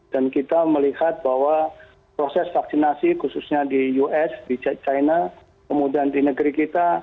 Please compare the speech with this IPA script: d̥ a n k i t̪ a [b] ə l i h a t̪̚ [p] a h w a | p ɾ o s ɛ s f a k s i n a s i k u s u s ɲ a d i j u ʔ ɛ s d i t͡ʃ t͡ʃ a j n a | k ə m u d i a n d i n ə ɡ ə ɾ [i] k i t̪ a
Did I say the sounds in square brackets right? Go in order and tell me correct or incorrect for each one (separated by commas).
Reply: incorrect, incorrect, correct